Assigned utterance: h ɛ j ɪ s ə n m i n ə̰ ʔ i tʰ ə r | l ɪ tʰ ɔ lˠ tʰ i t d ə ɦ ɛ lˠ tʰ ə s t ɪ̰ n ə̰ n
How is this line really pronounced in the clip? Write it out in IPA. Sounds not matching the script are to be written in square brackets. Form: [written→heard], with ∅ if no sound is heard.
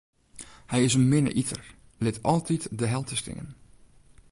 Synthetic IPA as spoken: h ɛ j ɪ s ə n m [i→ɪ] n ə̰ ʔ i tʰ ə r | l ɪ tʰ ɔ lˠ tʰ i t d ə ɦ ɛ lˠ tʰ ə s t ɪ̰ [n→ŋ] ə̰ n